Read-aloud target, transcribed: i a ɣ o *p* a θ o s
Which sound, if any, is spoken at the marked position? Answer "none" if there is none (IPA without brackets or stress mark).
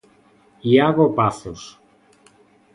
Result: p